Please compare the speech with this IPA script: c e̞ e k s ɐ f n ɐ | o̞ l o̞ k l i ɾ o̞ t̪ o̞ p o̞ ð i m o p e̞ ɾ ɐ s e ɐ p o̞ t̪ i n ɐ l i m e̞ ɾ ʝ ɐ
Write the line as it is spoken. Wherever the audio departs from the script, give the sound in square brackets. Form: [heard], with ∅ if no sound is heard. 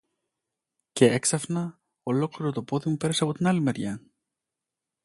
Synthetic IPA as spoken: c e̞ e k s ɐ f n ɐ | o̞ l o̞ k l i ɾ o̞ t̪ o̞ p o̞ ð i m [u] p e̞ ɾ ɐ s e ɐ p o̞ t̪ i n ɐ l i m e̞ ɾ ʝ ɐ